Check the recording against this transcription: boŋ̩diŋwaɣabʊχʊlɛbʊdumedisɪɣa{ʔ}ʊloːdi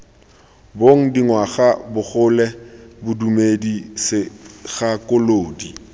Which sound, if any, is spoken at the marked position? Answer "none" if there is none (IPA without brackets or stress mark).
k